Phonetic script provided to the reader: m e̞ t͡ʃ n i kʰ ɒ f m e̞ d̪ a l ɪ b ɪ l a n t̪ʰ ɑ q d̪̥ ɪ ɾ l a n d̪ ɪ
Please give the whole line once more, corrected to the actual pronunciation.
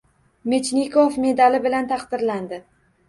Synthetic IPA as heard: m e̞ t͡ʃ n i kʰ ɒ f m e̞ d̪ a l ɪ b ɪ l a n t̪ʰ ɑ q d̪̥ ɪ ɾ l a n d̪ ɪ